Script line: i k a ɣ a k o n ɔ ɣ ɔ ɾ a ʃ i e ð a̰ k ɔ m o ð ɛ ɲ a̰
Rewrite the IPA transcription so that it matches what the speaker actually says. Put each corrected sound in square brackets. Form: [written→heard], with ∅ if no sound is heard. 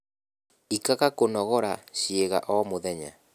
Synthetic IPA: i k a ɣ a k o n ɔ ɣ ɔ ɾ a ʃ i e [ð→ɣ] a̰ [k→ʔ] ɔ m o ð ɛ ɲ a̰